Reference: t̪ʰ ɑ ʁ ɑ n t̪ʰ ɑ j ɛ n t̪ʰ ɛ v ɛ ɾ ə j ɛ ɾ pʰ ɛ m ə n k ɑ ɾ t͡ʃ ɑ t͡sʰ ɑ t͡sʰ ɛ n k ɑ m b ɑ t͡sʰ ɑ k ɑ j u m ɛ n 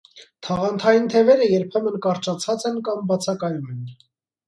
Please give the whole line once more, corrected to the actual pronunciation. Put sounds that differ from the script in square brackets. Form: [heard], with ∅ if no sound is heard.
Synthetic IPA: t̪ʰ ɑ ʁ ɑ n t̪ʰ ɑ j [i] n t̪ʰ ɛ v ɛ ɾ ə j ɛ ɾ pʰ ɛ m ə n k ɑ ɾ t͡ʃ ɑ t͡sʰ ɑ [t͡s] ɛ n k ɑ m b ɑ t͡sʰ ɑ k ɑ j u m ɛ n